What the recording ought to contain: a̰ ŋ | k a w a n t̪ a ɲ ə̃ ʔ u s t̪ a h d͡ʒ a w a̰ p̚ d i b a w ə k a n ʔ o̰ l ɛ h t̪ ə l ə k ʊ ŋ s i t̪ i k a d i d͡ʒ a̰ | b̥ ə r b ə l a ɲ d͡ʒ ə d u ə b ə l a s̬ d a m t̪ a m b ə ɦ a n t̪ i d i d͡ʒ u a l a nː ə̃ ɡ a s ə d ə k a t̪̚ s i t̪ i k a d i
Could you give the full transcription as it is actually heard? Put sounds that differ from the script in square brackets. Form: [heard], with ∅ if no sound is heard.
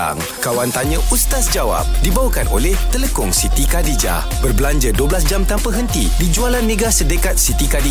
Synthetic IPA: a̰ ŋ | k a w a n t̪ a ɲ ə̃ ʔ u s t̪ a [s] d͡ʒ a w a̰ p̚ d i b a w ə k a n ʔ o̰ l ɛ h t̪ ə l ə k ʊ ŋ s i t̪ i k a d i d͡ʒ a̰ | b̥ ə r b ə l a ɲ d͡ʒ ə d u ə b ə l a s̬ [d͡ʒ] a m t̪ a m [p] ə ɦ [ə] n t̪ i d i d͡ʒ u a l a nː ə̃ ɡ a s ə d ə k a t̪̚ s i t̪ i k a d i